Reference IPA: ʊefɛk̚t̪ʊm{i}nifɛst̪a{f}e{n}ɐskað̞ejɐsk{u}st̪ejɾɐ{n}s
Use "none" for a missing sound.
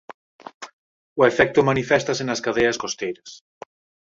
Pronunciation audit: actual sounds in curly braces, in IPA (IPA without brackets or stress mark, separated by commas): a, s, n, o, none